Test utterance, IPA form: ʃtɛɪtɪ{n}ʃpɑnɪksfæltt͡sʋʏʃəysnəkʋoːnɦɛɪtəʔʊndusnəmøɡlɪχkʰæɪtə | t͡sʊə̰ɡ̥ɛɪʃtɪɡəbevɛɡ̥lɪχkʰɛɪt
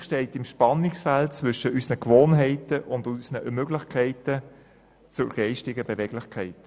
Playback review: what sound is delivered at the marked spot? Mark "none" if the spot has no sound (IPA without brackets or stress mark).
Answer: m